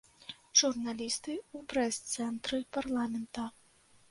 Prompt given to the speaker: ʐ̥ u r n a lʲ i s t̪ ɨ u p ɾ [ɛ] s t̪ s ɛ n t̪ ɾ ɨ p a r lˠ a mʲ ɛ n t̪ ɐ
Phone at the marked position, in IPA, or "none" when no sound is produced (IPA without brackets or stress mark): ɛ